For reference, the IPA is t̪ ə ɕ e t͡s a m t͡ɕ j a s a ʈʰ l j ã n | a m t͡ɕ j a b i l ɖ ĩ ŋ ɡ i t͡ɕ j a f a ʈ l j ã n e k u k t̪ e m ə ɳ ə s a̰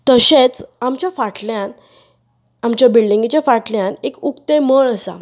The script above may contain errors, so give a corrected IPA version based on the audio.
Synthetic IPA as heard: t̪ ə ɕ e t͡s a m t͡ɕ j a f a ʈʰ l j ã n | a m t͡ɕ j a b i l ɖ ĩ ŋ ɡ i t͡ɕ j a f a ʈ l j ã n e k u k t̪ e m ə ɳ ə s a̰